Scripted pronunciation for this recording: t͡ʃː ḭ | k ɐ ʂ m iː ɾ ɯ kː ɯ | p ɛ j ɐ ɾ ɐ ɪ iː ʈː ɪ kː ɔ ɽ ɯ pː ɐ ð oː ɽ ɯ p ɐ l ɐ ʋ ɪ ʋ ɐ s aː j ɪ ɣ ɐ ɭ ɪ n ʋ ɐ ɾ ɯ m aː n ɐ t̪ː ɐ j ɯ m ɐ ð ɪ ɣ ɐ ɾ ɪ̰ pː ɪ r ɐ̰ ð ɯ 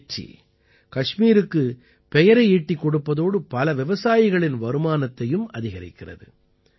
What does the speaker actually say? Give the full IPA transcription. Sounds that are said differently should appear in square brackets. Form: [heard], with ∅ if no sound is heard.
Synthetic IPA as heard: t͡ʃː ḭ | k ɐ ʂ m iː ɾ ɯ kː ɯ | p ɛ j ɐ ɾ ɐ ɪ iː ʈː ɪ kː ɔ ɽ ɯ pː ɐ ð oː ɽ ɯ p ɐ l ɐ ʋ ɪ ʋ ɐ s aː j ɪ ɣ ɐ ɭ ɪ n ʋ ɐ ɾ ɯ m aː n ɐ t̪ː ɐ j ɯ m ɐ ð ɪ ɣ ɐ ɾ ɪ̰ [kː] ɪ r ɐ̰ ð ɯ